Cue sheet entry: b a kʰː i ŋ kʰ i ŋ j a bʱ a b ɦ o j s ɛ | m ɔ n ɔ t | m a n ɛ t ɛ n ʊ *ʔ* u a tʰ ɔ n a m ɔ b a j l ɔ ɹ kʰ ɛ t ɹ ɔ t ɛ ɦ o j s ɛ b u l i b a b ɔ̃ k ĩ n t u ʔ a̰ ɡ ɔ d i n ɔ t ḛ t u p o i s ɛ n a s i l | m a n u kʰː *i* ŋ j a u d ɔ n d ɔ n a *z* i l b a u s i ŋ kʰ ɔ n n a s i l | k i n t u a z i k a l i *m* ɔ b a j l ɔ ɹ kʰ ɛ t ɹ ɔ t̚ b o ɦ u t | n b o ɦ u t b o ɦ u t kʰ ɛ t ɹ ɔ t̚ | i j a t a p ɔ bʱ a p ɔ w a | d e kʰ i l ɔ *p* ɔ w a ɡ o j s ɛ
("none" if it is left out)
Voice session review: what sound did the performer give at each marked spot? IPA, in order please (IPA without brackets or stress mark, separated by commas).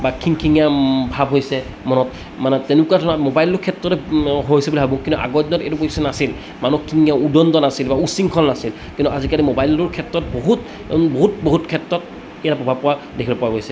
k, i, s, m, p